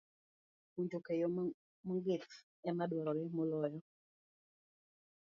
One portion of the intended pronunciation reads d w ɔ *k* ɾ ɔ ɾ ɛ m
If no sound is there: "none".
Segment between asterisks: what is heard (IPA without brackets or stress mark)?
none